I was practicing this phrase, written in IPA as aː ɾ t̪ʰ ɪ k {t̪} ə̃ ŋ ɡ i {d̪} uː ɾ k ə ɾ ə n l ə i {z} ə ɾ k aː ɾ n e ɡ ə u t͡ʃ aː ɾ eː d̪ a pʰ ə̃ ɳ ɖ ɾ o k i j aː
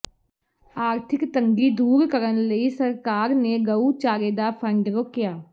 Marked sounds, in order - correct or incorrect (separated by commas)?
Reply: correct, correct, incorrect